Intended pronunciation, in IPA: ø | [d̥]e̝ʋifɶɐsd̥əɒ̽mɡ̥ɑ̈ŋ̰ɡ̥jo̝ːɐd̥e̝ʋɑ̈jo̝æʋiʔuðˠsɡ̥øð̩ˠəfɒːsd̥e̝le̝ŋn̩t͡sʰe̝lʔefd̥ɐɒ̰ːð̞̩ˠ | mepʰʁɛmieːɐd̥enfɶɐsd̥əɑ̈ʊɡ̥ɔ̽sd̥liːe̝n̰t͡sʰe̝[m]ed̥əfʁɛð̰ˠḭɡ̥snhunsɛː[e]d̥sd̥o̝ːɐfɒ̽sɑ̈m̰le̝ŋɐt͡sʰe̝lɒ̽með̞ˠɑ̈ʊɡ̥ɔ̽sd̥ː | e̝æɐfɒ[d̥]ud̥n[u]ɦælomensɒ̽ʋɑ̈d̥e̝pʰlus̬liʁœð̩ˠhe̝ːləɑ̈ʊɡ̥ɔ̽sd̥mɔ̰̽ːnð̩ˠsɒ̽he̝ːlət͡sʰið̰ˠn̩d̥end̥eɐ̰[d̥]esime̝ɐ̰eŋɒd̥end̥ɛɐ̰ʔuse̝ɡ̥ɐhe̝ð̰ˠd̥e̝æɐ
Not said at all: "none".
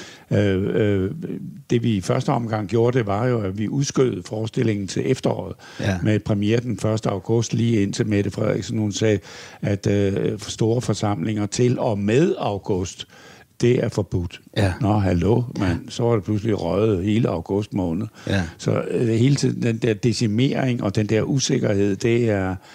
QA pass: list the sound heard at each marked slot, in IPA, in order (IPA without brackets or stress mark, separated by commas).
d̥, m, æ, b̥, ɒ, d̥